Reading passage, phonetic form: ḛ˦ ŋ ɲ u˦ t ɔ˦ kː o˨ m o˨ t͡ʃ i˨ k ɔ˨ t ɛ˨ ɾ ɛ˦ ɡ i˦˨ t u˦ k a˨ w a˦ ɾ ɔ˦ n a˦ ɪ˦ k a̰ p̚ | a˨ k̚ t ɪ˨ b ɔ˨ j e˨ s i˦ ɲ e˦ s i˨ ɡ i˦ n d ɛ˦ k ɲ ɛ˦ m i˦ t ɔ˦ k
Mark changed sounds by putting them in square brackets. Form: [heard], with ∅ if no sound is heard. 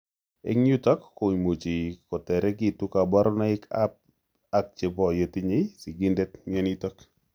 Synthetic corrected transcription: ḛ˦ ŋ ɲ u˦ t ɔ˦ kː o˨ m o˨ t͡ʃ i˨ k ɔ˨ t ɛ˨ ɾ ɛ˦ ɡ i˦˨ t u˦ k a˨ [b] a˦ ɾ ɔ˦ n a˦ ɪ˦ k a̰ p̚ | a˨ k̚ [t͡ʃ] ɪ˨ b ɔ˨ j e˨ [t] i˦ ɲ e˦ s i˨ ɡ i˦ n d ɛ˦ [t] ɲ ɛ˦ [n] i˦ t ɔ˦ k